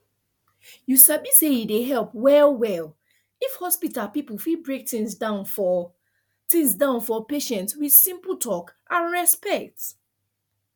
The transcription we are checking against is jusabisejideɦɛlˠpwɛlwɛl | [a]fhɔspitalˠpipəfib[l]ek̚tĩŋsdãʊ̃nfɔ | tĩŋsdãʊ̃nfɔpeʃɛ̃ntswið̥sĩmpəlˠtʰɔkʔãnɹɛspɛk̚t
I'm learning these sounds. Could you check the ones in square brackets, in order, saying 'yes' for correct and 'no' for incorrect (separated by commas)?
no, no